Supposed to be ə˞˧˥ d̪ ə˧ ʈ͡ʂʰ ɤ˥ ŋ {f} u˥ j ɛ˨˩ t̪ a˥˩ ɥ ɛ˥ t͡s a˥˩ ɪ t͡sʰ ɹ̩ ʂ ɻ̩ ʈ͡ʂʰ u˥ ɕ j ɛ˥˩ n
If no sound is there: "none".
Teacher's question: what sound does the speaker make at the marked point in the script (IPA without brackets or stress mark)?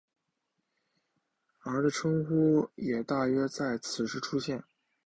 x